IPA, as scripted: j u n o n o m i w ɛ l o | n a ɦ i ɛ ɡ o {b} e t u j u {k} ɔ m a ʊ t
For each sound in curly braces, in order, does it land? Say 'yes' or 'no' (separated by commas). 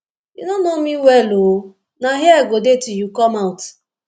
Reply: no, yes